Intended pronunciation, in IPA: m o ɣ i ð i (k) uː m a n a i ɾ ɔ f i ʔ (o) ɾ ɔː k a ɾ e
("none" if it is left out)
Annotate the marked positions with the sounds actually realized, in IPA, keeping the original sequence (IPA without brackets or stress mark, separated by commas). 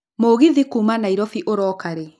k, o